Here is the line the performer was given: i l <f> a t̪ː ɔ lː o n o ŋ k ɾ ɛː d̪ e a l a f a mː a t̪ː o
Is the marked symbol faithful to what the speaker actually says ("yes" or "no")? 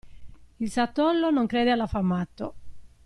no